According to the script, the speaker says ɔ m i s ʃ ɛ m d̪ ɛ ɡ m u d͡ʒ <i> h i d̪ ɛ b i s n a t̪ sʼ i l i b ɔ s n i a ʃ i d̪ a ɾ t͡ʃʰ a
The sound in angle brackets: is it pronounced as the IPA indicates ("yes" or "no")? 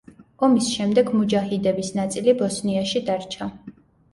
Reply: no